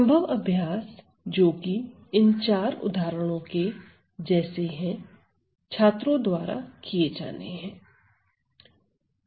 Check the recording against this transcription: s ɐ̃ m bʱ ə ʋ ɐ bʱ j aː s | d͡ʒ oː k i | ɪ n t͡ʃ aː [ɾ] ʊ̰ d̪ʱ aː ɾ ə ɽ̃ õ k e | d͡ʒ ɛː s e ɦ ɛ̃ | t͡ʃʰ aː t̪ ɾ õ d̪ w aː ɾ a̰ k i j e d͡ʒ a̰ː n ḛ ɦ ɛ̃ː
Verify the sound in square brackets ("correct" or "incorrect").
correct